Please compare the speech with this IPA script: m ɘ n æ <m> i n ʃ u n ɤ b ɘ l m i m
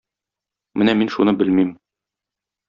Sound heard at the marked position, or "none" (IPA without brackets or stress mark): m